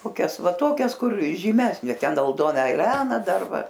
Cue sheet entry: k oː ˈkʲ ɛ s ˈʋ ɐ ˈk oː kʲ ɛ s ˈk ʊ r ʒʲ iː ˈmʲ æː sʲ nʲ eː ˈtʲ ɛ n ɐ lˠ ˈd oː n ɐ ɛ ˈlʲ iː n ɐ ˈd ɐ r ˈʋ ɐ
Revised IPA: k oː ˈkʲ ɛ s ˈʋ ɐ ˈt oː kʲ ɛ s ˈk ʊ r ʒʲ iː ˈmʲ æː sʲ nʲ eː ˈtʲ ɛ n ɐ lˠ ˈd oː n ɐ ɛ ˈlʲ æː n ɐ ˈd ɐ r ˈʋ ɐ